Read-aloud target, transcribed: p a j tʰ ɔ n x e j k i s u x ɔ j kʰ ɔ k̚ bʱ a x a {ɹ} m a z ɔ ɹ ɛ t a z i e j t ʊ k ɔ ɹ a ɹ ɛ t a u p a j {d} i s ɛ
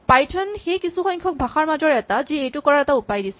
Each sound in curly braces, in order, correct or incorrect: correct, correct

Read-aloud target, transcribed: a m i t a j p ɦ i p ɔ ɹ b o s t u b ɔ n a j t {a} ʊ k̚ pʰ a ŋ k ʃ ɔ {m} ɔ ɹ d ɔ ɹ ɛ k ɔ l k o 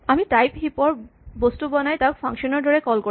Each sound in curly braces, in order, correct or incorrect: correct, incorrect

